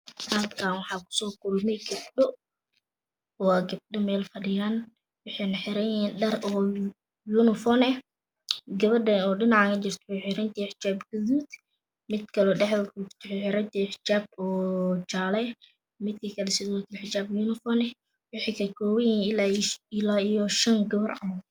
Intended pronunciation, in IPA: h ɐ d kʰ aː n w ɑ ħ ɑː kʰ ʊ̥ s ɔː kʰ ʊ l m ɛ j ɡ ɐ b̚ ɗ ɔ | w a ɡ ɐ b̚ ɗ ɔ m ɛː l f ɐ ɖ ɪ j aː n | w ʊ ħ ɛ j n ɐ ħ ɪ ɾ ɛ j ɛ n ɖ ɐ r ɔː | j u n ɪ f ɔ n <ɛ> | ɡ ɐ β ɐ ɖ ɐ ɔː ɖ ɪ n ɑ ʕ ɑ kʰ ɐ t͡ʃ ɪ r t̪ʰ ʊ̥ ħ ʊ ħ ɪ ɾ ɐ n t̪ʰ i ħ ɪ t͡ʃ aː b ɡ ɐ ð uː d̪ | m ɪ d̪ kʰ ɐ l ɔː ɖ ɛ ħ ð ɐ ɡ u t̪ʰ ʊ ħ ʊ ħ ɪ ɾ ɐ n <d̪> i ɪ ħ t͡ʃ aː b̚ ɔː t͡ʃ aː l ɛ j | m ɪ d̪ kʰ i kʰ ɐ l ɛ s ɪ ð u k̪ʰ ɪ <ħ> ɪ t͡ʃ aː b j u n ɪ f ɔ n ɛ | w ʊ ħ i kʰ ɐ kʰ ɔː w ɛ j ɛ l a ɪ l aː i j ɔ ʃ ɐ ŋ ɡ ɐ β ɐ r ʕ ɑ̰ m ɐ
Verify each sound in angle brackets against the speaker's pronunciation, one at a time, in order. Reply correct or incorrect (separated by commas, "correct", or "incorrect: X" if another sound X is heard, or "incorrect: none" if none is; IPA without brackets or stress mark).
correct, incorrect: t̪, correct